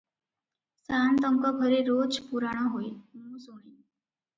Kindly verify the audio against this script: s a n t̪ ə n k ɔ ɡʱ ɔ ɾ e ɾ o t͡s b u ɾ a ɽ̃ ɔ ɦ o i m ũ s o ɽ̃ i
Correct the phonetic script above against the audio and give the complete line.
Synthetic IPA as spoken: s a n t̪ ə ŋ k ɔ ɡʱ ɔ ɾ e ɾ o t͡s p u ɾ a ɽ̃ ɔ ɦ o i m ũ s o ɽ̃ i